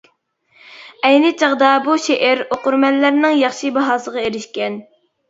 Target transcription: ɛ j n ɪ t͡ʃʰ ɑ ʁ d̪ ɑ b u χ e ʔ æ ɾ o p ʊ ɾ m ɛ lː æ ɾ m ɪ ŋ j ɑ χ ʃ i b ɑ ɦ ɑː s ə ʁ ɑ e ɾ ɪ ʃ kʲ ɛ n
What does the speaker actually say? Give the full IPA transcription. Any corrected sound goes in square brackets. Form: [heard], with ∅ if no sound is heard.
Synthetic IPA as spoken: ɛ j n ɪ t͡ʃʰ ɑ ʁ d̪ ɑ b u [ʃ] e ʔ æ ɾ o [q] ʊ ɾ m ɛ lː æ ɾ [n] ɪ ŋ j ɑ χ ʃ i b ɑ ɦ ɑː s ə ʁ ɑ e ɾ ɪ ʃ kʲ ɛ n

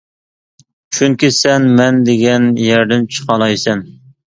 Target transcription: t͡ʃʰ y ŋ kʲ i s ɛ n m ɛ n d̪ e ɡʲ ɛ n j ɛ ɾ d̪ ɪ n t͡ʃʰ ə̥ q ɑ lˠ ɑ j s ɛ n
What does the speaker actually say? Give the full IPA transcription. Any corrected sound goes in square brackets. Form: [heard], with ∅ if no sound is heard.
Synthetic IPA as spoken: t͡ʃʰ y ŋ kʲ i s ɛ n m ɛ n d̪ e ɡʲ ɛ n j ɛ ɾ d̪ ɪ n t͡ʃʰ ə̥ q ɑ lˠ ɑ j s ɛ n

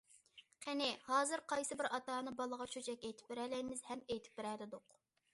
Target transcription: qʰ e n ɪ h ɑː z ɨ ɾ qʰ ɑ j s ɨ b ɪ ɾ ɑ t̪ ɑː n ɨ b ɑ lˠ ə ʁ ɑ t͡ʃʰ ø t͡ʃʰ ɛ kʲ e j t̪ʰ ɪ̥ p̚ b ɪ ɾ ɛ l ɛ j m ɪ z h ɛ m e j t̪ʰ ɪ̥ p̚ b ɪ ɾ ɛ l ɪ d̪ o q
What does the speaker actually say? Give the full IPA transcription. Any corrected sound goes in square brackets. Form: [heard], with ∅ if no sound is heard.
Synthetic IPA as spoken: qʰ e n ɪ h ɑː z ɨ ɾ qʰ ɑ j s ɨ b ɪ ɾ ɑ t̪ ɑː n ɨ b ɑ lˠ ə ʁ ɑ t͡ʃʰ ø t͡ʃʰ ɛ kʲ e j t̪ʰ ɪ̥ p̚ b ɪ ɾ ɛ l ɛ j m ɪ z h ɛ m e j t̪ʰ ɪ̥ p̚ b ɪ ɾ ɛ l ɪ d̪ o q

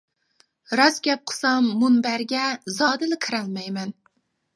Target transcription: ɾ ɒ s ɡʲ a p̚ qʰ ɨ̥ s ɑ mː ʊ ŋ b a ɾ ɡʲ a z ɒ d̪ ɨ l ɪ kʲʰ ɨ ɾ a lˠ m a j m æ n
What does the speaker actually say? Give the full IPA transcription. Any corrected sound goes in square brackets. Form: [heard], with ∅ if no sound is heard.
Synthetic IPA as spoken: ɾ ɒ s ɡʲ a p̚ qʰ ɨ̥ s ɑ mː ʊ [n] b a ɾ ɡʲ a z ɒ d̪ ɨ l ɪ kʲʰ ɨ ɾ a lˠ m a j m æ n

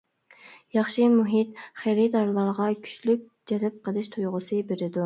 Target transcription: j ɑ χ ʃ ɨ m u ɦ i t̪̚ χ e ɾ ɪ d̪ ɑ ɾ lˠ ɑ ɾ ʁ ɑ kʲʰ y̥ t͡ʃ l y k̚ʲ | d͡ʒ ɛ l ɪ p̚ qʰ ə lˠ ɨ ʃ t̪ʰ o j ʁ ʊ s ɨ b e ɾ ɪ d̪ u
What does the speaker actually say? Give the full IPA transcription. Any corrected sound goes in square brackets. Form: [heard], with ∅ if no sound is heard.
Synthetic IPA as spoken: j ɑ χ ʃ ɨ m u ɦ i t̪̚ χ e ɾ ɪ d̪ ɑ ɾ lˠ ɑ ɾ ʁ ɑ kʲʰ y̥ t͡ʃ l y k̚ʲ | d͡ʒ ɛ l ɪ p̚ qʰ ə lˠ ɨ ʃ t̪ʰ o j ʁ ʊ s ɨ b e ɾ ɪ d̪ u

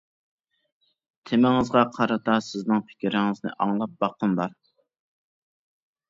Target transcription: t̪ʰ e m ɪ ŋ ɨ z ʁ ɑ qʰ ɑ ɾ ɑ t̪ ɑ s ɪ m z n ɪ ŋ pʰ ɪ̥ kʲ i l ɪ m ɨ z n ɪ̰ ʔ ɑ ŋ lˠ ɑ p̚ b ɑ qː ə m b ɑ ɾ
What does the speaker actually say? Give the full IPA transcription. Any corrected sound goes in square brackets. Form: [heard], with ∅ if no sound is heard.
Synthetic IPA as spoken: t̪ʰ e m ɪ ŋ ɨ z ʁ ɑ qʰ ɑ ɾ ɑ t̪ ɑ s ɪ [∅] z n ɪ ŋ pʰ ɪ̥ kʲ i [ɾ] ɪ [ŋ] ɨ z n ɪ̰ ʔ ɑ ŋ lˠ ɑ p̚ b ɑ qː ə m b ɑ ɾ

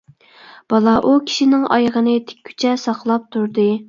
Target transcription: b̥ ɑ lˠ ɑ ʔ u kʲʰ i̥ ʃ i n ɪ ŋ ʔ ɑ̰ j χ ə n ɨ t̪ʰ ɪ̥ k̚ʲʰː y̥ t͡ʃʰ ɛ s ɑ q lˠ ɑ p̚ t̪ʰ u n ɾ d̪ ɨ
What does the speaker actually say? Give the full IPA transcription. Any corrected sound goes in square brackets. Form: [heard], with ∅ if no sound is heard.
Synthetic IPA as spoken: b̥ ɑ lˠ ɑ ʔ u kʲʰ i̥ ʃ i n ɪ ŋ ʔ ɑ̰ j [ʁ] ə n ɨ t̪ʰ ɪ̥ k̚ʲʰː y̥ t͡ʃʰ ɛ s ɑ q lˠ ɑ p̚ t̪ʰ u [∅] ɾ d̪ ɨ

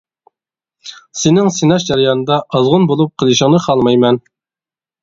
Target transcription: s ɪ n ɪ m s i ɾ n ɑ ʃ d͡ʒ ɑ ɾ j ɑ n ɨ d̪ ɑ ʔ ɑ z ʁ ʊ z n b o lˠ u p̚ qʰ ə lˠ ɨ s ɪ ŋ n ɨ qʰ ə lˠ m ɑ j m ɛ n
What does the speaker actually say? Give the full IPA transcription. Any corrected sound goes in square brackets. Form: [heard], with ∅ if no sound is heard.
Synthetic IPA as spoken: s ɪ n ɪ [ŋ] s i [∅] n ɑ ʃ d͡ʒ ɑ ɾ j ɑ n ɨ d̪ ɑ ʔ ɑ z ʁ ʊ [∅] n b o lˠ u p̚ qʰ ə lˠ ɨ [ʃ] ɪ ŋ n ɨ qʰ [ɑ] lˠ m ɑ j m ɛ n

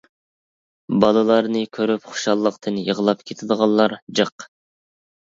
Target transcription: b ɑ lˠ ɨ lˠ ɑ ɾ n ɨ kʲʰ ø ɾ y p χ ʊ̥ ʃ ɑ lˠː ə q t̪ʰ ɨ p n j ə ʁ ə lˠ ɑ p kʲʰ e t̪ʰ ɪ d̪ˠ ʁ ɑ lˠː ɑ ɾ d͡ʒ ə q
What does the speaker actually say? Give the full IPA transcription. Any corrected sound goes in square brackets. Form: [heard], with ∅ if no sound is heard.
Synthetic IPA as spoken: b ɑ lˠ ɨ lˠ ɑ ɾ n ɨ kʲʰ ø ɾ y p χ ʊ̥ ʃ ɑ lˠː ə q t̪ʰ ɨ [∅] n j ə ʁ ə lˠ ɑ p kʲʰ e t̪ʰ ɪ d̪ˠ ʁ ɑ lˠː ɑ ɾ d͡ʒ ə q

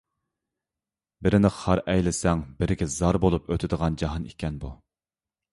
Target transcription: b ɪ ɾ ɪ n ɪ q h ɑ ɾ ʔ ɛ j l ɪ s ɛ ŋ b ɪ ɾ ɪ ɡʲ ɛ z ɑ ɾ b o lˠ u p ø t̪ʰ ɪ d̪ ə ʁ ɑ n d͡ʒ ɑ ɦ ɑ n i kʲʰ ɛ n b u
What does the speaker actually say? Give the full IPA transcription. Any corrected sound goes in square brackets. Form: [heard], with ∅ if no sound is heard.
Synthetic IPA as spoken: b ɪ ɾ ɪ n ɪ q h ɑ ɾ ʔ ɛ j l ɪ s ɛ ŋ b ɪ ɾ ɪ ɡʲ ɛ z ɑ ɾ b o lˠ u p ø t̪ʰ ɪ d̪ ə ʁ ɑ n d͡ʒ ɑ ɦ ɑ n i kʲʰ ɛ n b u

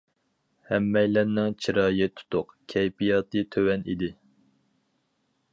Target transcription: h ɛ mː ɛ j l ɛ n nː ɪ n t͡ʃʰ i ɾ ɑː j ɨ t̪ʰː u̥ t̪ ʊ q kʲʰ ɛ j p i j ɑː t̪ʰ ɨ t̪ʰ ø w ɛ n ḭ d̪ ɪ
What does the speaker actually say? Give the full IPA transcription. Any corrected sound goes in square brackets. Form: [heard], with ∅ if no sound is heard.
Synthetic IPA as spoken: h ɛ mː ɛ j l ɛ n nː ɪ [ŋ] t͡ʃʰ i ɾ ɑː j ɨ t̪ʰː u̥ t̪ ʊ q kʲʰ ɛ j p i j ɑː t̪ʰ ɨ t̪ʰ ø w ɛ n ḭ d̪ ɪ

